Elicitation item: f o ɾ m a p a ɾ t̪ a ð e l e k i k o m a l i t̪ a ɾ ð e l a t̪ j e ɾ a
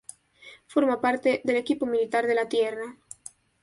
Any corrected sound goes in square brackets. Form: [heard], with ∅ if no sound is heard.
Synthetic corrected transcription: f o ɾ m a p a ɾ t̪ [e] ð e l e k i [p] o m [i] l i t̪ a ɾ ð e l a t̪ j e [r] a